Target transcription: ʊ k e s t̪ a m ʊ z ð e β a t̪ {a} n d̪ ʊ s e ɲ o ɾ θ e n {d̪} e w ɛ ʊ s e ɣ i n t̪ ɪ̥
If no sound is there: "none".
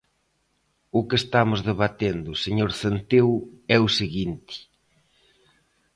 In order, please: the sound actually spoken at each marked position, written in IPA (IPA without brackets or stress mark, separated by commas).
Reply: e, t̪